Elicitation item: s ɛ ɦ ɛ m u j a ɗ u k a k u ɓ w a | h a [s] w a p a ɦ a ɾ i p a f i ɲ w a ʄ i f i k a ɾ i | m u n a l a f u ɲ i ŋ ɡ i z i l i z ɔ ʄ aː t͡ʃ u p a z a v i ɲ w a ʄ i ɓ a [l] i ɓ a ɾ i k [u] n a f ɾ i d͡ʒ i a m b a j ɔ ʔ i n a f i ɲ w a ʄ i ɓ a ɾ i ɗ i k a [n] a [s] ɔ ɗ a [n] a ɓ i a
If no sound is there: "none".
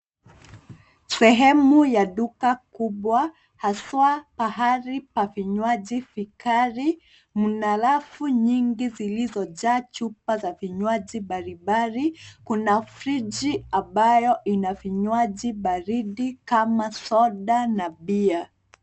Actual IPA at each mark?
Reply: s, ɾ, u, m, s, n

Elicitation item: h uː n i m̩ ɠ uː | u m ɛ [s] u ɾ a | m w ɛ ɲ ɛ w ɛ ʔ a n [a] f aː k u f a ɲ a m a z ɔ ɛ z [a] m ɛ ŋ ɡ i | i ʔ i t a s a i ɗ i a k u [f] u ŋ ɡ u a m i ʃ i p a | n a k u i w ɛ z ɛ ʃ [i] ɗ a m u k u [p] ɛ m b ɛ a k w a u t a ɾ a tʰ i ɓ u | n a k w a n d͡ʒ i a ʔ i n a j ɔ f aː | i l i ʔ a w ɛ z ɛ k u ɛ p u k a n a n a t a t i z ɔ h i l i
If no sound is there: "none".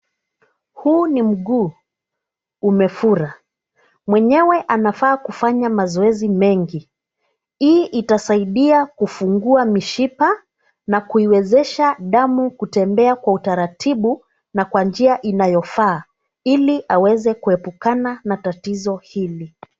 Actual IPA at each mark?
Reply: f, a, i, f, a, t

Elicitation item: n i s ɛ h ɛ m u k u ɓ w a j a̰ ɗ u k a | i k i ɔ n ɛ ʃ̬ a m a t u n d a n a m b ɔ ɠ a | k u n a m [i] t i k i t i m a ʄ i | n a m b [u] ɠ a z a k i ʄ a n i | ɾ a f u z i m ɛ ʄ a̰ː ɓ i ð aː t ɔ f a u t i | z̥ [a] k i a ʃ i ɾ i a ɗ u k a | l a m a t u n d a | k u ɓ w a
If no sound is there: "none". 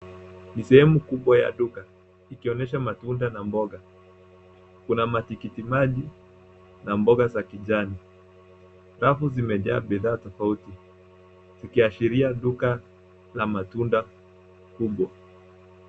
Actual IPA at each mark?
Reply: a, ɔ, i

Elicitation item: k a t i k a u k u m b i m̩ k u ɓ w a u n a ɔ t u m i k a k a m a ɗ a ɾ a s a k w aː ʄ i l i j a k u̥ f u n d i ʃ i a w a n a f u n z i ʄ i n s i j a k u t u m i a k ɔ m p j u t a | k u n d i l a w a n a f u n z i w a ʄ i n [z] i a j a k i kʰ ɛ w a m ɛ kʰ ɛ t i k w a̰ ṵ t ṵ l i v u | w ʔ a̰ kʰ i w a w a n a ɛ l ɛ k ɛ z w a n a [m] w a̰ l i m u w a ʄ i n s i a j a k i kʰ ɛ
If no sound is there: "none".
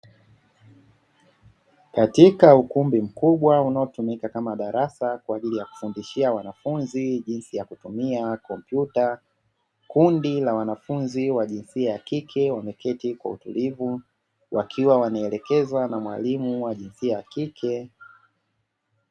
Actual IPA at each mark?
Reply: s, m

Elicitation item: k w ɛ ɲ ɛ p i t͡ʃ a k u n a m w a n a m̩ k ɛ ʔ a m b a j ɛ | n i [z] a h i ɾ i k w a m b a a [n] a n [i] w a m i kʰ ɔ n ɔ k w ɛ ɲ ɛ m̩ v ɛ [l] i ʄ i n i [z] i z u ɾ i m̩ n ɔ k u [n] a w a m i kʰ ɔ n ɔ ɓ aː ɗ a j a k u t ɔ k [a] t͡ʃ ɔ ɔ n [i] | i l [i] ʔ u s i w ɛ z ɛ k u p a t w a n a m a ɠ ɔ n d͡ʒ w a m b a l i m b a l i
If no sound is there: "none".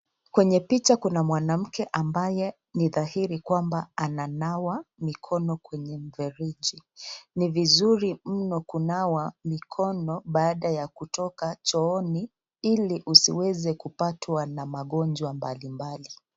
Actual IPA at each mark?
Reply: ð, n, a, ɾ, v, n, a, i, i

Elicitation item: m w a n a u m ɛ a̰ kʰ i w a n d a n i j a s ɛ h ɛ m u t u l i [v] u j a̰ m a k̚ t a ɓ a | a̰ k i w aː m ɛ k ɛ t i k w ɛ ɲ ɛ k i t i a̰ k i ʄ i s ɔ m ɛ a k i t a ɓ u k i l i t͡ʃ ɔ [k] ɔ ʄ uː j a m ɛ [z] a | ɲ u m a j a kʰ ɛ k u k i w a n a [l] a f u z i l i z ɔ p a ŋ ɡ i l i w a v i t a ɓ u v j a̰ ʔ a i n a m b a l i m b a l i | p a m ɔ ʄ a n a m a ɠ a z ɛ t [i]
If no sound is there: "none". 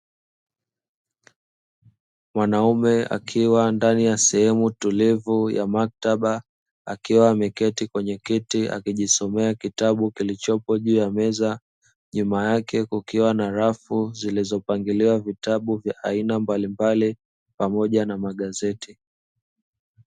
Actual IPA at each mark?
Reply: v, p, z, ɾ, i

